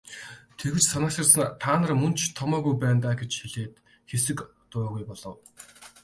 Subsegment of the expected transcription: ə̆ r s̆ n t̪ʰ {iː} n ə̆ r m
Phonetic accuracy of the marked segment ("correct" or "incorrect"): incorrect